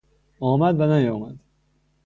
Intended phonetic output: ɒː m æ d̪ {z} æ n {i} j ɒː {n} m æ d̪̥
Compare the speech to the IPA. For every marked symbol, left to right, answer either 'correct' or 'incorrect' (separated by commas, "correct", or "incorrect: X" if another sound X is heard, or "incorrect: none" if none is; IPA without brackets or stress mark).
incorrect: v, incorrect: æ, incorrect: none